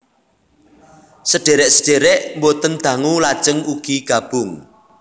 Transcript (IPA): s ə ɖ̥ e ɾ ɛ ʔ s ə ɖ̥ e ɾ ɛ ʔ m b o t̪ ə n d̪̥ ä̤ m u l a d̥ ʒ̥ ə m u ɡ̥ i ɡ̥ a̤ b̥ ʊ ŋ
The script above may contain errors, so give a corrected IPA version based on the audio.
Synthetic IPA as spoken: s ə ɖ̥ e ɾ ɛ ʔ s ə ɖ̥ e ɾ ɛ ʔ m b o t̪ ə n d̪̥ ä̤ ŋ u l a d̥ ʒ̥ ə ŋ u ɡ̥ i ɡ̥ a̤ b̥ ʊ ŋ